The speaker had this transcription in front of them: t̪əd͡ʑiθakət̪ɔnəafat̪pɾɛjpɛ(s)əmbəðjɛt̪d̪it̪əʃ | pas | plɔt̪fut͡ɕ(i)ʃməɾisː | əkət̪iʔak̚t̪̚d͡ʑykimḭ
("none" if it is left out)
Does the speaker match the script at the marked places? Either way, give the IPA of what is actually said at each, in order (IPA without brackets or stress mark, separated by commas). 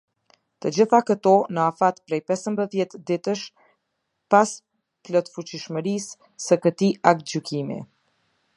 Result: s, i